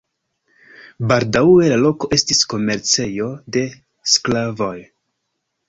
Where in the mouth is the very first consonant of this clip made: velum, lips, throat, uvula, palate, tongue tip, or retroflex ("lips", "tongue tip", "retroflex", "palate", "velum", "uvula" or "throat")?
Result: lips